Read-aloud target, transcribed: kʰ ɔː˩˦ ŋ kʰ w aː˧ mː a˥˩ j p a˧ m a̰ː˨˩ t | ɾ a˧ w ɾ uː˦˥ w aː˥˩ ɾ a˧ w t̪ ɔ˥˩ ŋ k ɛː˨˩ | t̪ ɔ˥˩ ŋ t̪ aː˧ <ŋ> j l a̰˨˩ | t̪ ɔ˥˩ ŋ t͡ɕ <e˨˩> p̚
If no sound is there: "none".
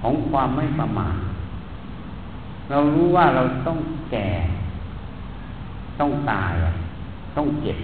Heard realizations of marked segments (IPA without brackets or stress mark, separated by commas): none, e˨˩